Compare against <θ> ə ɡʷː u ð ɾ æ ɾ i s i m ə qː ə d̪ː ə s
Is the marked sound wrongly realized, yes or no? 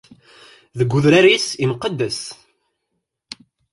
yes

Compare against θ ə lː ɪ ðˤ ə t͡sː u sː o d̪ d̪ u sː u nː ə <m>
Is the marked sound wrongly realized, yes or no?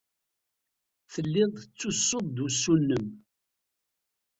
no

